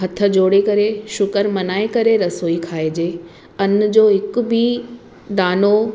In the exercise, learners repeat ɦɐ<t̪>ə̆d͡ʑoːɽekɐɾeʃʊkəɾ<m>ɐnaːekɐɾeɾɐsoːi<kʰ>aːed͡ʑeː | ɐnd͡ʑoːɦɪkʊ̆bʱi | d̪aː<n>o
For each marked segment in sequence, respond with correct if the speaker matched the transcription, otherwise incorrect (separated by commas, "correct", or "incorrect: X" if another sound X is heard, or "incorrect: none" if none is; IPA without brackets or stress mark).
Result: incorrect: t̪ʰ, correct, correct, correct